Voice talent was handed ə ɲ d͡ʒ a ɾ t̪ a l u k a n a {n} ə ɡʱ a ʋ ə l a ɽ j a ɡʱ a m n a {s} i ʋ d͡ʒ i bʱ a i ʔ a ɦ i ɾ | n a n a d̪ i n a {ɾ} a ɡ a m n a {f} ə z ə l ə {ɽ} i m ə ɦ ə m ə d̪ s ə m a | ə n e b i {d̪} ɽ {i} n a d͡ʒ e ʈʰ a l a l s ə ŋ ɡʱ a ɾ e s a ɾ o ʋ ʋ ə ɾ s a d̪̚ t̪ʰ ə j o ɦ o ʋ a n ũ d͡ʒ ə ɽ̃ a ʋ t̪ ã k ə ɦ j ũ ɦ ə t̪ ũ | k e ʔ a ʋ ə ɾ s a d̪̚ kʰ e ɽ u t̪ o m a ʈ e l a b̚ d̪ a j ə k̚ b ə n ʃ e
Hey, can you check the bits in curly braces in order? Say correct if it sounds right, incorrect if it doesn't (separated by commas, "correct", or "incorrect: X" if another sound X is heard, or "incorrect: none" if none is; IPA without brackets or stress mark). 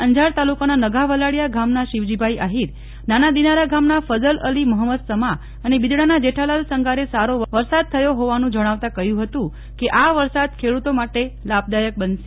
correct, incorrect: ʃ, correct, correct, incorrect: l, correct, incorrect: a